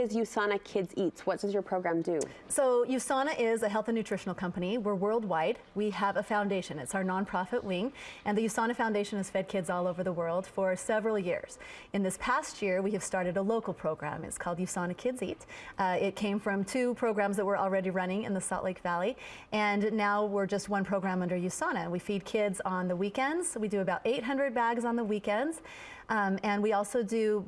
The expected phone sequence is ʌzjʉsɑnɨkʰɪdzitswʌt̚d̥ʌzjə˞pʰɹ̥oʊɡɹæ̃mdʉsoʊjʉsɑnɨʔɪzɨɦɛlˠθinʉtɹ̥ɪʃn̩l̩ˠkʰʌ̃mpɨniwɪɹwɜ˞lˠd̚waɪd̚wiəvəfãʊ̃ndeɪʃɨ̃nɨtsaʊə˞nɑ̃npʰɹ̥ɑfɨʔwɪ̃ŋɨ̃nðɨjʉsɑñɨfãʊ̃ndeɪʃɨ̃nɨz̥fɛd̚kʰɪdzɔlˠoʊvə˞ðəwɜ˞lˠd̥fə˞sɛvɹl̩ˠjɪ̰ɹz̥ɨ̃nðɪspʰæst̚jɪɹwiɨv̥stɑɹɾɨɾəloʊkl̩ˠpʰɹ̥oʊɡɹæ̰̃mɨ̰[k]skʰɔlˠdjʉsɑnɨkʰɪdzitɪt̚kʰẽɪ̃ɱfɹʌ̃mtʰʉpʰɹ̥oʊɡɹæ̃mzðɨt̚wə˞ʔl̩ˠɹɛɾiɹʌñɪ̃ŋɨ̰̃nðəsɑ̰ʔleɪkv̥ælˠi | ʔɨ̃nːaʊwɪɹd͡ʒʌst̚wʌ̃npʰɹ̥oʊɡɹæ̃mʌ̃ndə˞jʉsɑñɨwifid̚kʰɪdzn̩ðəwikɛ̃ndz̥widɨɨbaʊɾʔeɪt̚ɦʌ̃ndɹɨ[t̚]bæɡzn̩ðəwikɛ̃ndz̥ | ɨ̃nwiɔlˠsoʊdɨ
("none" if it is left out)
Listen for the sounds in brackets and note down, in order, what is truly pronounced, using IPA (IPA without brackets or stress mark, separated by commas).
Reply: t, d̚